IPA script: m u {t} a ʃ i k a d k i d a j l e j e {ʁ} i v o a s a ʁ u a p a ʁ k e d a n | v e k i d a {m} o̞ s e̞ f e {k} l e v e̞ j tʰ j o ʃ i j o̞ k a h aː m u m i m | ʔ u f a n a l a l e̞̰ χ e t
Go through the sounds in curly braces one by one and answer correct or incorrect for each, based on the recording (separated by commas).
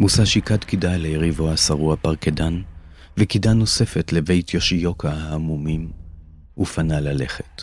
incorrect, correct, incorrect, incorrect